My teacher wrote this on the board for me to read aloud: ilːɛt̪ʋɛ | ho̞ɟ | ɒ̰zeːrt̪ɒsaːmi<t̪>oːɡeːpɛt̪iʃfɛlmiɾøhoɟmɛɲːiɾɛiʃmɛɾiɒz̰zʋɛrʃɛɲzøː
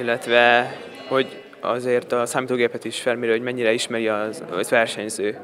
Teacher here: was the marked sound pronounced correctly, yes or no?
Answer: yes